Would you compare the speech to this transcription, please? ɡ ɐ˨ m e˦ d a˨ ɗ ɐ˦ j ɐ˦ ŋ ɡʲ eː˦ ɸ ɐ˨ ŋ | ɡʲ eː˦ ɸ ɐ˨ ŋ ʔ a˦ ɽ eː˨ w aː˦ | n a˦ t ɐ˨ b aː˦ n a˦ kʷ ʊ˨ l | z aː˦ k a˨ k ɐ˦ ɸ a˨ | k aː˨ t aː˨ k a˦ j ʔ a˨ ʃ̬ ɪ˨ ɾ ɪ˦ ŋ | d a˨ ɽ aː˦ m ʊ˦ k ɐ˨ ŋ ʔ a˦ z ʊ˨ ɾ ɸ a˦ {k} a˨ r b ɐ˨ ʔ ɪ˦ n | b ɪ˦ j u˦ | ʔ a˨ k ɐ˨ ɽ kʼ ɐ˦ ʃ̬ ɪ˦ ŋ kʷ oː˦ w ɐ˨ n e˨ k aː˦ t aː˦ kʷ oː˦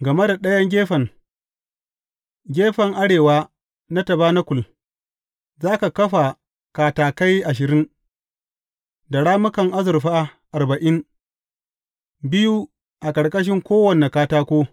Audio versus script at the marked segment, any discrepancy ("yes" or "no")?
yes